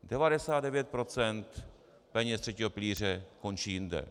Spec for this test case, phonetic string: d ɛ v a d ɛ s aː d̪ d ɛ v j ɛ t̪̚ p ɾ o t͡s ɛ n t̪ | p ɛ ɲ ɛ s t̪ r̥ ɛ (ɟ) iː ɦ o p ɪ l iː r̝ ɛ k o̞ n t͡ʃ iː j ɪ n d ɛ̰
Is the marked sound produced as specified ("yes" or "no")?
no